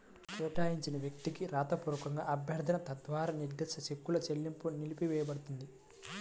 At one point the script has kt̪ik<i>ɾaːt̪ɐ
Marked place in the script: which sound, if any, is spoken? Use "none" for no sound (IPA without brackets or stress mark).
i